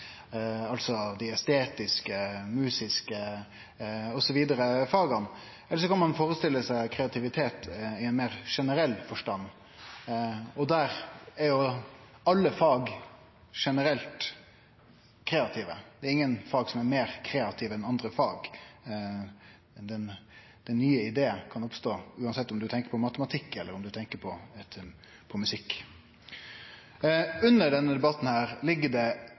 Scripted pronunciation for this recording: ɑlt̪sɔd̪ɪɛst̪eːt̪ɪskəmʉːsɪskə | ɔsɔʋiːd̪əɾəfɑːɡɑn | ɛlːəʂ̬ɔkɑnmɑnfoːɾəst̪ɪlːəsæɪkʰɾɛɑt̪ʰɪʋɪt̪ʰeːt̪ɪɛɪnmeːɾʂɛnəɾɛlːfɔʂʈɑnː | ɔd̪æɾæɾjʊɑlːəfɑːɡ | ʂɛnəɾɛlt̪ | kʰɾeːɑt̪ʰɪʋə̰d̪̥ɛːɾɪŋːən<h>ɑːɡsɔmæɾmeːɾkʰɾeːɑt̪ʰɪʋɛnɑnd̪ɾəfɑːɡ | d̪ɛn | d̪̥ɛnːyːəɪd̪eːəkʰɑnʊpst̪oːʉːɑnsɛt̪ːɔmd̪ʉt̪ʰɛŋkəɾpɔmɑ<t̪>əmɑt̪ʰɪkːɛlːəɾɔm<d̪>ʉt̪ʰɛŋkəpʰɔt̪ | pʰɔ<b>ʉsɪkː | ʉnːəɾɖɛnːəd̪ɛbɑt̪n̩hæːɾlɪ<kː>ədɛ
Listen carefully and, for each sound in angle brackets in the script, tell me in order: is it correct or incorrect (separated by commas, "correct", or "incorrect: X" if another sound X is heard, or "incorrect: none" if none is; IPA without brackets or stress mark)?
incorrect: f, correct, correct, incorrect: m, incorrect: ɡː